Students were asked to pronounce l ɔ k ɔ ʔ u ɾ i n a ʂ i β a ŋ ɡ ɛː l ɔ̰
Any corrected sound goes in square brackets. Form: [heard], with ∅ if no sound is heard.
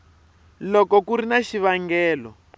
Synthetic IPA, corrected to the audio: l ɔ k ɔ [k] u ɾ i n a [ʃ] i β a ŋ ɡ ɛː l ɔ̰